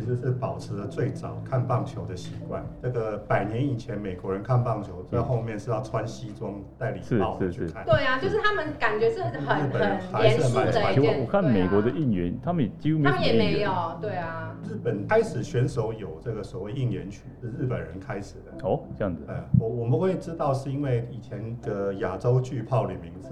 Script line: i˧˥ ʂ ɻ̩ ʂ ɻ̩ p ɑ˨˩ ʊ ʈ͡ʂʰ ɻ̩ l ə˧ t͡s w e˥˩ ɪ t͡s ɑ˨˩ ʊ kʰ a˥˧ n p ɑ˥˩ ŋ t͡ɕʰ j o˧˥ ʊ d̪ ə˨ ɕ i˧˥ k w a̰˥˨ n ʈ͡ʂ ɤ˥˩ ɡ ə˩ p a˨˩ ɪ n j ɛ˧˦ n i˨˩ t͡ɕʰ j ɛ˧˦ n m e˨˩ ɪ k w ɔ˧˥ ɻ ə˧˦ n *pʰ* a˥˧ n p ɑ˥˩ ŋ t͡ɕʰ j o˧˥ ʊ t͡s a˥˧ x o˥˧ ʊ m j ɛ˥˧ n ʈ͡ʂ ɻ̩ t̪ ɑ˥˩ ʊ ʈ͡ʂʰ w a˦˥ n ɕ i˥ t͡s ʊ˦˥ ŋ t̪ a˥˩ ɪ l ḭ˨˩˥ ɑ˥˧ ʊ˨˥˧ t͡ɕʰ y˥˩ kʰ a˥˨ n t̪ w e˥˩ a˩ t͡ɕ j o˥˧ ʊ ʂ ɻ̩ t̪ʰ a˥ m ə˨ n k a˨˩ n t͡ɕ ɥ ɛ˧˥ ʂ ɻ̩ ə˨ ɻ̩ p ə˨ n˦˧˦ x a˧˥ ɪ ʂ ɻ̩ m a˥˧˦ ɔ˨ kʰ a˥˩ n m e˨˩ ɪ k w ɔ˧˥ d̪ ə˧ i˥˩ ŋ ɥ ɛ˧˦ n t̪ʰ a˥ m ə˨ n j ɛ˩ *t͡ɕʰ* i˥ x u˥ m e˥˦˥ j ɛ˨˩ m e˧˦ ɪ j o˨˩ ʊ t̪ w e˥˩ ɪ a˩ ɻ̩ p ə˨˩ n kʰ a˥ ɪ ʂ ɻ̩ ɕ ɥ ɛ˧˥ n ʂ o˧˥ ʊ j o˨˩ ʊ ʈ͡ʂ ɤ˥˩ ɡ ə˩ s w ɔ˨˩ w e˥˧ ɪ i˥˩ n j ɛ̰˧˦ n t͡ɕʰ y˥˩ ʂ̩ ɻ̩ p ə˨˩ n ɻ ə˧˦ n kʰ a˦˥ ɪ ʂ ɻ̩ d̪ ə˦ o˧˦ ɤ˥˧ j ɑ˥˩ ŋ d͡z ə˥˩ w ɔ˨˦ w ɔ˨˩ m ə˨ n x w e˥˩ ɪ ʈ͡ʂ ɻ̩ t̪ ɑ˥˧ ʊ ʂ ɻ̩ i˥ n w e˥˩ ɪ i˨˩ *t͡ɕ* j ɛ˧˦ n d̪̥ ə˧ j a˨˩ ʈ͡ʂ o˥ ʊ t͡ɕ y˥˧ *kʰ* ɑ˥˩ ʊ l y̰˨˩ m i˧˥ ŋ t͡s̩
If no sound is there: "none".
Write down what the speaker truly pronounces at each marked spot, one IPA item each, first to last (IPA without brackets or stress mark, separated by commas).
kʰ, t͡ɕ, t͡ɕʰ, pʰ